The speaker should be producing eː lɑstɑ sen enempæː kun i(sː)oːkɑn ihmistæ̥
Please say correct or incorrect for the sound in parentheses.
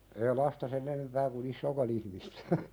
correct